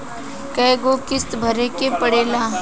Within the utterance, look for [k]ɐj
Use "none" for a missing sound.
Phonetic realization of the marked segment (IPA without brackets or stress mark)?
k